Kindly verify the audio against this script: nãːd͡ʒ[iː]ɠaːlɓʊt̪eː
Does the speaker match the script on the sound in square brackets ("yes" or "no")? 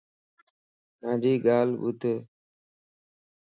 yes